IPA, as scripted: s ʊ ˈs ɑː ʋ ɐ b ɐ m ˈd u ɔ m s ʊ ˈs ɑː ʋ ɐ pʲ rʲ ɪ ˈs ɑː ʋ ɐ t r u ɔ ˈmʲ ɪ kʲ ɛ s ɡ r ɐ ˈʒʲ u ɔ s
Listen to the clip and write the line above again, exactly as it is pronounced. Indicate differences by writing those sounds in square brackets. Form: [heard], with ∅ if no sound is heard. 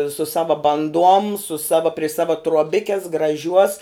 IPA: s ʊ ˈs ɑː ʋ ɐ b ɐ [n] ˈd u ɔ m s ʊ ˈs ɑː ʋ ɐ pʲ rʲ ɪ ˈs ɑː ʋ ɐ t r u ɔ [ˈbʲ] ɪ kʲ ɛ s ɡ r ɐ ˈʒʲ u ɔ s